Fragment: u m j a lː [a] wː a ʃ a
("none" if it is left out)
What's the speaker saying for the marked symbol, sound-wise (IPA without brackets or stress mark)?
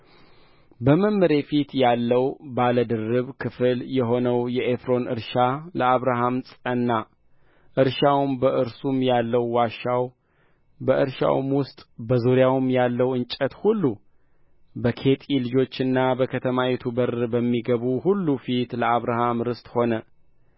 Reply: ə